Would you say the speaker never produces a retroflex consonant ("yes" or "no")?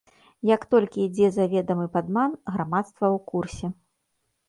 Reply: yes